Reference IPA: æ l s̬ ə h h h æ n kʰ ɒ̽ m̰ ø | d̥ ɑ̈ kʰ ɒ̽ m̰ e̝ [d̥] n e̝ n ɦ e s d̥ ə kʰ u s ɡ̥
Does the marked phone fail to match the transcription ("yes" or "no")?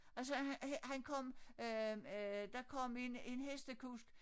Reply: yes